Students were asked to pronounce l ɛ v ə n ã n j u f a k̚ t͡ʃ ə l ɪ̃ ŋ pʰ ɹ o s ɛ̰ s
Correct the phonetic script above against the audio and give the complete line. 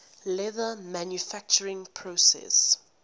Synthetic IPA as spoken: l ɛ ð ə m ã n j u f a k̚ t͡ʃ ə ɹ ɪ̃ ŋ pʰ ɹ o s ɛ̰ s

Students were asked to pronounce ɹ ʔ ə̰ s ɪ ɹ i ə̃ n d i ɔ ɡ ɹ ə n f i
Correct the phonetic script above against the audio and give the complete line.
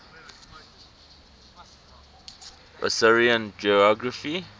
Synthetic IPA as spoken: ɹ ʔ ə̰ s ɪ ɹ i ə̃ n d͡ʒ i ɔ ɡ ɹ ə f i

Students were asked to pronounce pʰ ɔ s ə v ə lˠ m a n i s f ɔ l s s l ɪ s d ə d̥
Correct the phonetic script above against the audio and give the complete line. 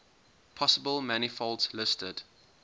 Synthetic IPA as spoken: pʰ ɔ s ə b ə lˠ m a n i f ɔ l t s l ɪ s t ə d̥

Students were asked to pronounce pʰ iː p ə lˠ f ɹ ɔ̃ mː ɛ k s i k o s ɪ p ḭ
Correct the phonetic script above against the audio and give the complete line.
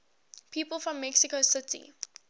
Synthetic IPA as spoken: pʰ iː p ə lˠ f ɹ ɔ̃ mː ɛ k s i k o s ɪ t ḭ

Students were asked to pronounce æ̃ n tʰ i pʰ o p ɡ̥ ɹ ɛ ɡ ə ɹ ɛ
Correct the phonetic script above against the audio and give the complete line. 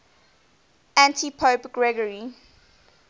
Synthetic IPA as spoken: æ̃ n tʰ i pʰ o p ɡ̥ ɹ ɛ ɡ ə ɹ i

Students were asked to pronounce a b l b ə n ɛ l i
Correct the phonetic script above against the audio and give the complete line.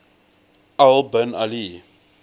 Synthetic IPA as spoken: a l b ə n a l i

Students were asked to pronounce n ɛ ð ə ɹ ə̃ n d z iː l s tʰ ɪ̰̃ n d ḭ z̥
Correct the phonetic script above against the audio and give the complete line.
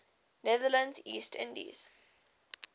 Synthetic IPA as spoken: n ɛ ð ə l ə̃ n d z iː s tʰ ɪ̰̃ n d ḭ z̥

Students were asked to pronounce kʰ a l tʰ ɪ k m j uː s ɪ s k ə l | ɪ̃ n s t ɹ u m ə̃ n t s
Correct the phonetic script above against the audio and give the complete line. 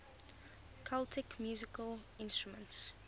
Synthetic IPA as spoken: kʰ a l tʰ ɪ k m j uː z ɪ k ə l | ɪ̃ n s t ɹ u m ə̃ n t s

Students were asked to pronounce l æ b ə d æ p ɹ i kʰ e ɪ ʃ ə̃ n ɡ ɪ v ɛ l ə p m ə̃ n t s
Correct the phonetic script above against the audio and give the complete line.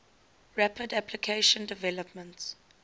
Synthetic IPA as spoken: ɹ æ p ə d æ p l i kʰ e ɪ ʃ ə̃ n d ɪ v ɛ l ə p m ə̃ n t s

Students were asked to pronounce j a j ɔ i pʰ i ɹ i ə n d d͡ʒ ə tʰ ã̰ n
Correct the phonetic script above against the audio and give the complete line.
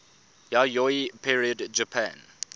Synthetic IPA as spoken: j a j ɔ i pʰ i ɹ i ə d d͡ʒ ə pʰ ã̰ n

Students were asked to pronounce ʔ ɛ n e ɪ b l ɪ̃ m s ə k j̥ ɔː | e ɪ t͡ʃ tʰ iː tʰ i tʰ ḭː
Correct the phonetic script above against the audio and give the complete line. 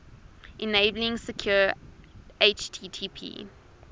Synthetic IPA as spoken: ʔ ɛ n e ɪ b l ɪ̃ ŋ s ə kʰ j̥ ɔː | e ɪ t͡ʃ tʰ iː tʰ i pʰ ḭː

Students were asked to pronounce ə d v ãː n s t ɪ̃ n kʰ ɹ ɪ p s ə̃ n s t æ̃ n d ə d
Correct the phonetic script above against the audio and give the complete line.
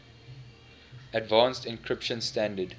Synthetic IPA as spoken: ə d v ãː n s t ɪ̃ n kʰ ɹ ɪ p ʃ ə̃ n s t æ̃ n d ə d

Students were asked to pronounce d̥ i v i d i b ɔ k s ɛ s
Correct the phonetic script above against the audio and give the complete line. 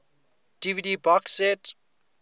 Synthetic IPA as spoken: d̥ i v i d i b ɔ k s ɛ t

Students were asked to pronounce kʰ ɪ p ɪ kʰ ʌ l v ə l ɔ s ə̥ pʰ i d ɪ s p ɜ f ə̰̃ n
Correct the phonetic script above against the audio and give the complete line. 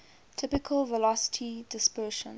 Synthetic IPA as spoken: tʰ ɪ p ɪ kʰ ə l v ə l ɔ s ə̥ tʰ i d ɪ s p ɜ ʃ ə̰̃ n

